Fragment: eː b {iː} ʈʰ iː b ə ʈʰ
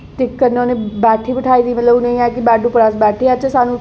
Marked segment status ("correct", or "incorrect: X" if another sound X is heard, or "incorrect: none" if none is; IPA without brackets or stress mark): incorrect: ɛː